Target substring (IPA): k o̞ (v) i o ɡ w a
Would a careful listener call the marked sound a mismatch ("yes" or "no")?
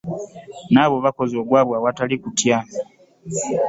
yes